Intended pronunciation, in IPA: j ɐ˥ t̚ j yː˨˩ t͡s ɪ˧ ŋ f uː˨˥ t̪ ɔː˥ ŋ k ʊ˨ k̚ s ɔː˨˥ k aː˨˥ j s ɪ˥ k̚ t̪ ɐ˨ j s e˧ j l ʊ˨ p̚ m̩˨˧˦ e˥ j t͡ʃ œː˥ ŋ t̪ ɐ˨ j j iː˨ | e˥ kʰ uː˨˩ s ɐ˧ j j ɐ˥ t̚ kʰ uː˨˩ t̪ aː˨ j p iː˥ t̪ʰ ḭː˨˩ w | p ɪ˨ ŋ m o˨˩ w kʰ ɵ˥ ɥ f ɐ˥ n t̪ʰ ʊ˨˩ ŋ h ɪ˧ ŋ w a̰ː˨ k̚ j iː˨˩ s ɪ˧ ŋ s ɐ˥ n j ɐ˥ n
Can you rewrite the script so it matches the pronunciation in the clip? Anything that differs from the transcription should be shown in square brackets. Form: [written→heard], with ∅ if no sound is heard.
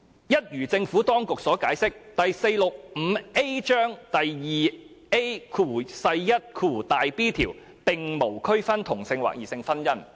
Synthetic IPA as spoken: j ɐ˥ t̚ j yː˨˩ t͡s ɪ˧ ŋ f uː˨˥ t̪ ɔː˥ ŋ k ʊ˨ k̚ s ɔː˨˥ k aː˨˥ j s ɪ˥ k̚ t̪ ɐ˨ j s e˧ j l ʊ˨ [p̚→k̚] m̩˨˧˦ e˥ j t͡ʃ œː˥ ŋ t̪ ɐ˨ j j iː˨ | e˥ kʰ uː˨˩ s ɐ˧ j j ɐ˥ t̚ kʰ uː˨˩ t̪ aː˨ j p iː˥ t̪ʰ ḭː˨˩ w | p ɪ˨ ŋ m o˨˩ w kʰ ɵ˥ ɥ f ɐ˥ n t̪ʰ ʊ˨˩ ŋ [h→s] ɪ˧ ŋ w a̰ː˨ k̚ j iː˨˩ s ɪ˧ ŋ [s→f] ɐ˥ n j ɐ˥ n